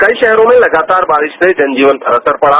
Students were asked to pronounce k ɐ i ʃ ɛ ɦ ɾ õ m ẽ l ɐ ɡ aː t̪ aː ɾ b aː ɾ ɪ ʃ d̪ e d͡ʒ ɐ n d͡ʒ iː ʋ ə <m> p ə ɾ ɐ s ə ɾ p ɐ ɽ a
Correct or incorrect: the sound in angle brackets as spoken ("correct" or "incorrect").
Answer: incorrect